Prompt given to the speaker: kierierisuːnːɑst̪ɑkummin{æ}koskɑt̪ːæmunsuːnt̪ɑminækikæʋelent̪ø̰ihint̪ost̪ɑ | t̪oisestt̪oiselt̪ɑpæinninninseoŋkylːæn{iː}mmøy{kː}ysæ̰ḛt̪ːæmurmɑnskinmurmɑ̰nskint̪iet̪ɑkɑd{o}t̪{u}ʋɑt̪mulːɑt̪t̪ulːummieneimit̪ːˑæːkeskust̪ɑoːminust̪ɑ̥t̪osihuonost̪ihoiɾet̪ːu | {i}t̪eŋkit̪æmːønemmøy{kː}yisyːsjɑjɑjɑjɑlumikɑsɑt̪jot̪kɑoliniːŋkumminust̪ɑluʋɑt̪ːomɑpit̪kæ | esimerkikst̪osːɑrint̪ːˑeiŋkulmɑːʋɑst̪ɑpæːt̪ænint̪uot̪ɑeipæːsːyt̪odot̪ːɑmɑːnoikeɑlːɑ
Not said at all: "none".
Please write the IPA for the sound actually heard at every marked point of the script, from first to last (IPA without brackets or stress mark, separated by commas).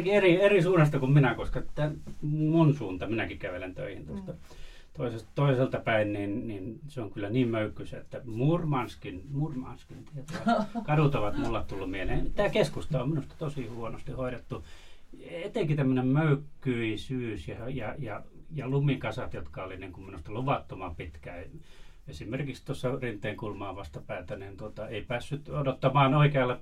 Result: æ, iː, kː, u, o, e, kː